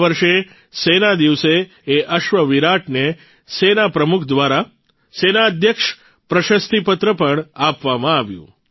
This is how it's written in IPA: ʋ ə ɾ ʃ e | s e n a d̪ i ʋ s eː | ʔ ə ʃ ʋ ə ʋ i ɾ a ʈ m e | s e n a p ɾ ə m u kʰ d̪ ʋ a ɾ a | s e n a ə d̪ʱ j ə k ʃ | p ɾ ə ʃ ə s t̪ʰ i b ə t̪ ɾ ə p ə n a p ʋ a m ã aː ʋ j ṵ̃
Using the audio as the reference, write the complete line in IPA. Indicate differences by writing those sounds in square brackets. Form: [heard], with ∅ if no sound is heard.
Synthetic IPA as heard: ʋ ə ɾ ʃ e | s e n a d̪ i ʋ s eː | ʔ ə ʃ ʋ ə ʋ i ɾ a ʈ [n] e | s e n a p ɾ ə m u kʰ d̪ ʋ a ɾ a | s e n a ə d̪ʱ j ə k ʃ | p ɾ ə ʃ ə s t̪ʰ i [p] ə t̪ ɾ ə p ə [ɳ] a p ʋ a m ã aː ʋ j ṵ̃